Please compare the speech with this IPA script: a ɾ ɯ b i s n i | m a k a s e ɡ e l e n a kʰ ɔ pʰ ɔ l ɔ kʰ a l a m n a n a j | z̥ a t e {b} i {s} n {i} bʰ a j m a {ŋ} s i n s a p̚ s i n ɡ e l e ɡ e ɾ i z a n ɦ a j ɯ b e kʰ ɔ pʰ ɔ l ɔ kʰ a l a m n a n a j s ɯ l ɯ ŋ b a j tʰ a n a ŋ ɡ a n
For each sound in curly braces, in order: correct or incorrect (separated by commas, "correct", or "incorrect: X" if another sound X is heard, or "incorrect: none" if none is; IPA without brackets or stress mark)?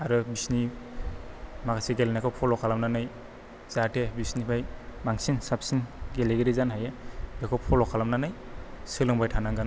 correct, correct, correct, correct